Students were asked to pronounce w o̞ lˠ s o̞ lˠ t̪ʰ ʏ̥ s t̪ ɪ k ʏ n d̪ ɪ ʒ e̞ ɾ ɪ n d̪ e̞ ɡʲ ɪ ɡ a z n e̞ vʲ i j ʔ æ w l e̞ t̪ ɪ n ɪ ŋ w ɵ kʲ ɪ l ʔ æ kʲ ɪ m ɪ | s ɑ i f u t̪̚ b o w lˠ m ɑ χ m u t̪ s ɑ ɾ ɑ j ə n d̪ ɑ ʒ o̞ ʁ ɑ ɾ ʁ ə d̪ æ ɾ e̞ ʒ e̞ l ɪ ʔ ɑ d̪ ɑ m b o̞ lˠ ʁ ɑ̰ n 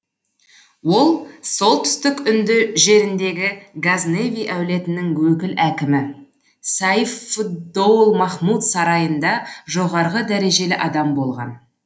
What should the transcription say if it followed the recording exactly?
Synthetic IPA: w o̞ lˠ s o̞ lˠ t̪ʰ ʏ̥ s t̪ ɪ k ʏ n d̪ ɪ ʒ e̞ ɾ ɪ n d̪ e̞ ɡʲ ɪ ɡ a z n e̞ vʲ i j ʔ æ w l e̞ t̪ ɪ n ɪ ŋ w ɵ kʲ ɪ l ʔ æ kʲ ɪ m ɪ | s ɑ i f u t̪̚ b o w lˠ m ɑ χ m u t̪ s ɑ ɾ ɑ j ə n d̪ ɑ ʒ o̞ ʁ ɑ ɾ ʁ ə d̪ æ ɾ e̞ ʒ e̞ l ɪ ʔ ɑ d̪ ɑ m b o̞ lˠ ʁ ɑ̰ n